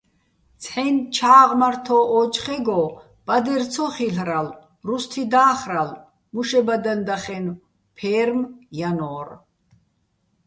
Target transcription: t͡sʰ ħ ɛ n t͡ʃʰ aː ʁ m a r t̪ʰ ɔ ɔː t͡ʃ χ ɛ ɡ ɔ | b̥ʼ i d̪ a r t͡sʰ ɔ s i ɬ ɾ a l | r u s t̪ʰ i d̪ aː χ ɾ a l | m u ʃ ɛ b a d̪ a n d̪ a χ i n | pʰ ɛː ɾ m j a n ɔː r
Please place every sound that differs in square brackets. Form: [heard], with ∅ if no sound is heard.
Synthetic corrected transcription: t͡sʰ ħ ɛ n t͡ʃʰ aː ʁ m a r t̪ʰ ɔ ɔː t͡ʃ χ ɛ ɡ ɔ | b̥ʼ [a] d̪ [ɛ] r t͡sʰ ɔ [χ] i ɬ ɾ a l | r u s t̪ʰ i d̪ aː χ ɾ a l | m u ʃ ɛ b a d̪ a n d̪ a χ [ɛ] n | pʰ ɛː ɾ m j a n ɔː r